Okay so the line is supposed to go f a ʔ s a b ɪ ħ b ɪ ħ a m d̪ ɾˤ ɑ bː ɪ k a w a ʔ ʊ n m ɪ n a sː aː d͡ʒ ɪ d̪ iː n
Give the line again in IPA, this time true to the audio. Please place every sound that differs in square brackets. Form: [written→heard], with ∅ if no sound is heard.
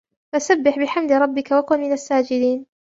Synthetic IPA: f a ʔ s a [b→bː] ɪ ħ b ɪ ħ a m d̪ ɾˤ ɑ bː ɪ k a w a [ʔ→k] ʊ n m ɪ n a sː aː d͡ʒ ɪ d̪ iː n